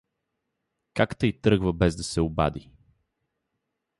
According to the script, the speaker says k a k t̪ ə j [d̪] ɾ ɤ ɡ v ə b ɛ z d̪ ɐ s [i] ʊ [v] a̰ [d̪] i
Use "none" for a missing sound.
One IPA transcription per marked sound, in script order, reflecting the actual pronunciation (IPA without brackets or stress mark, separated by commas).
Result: t̪, ɛ, b, d̪